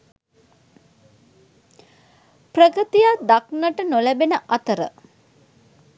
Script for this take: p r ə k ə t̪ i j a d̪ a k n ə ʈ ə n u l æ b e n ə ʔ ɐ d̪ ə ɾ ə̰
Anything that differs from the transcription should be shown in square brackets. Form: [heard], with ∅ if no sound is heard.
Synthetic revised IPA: p r ə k ə t̪ i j a d̪ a k n ə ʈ ə n [o] l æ b e n ə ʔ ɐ [t̪] ə ɾ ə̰